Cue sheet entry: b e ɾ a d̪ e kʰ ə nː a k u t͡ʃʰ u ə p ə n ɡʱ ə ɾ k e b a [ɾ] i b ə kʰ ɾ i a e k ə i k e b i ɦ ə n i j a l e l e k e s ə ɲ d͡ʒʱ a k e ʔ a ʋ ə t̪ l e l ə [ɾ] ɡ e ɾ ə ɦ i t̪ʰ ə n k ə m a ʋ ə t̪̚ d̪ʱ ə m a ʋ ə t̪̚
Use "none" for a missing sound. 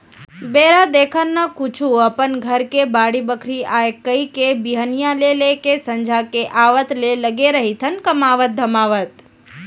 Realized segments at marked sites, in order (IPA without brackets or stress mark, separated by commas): ɽ, none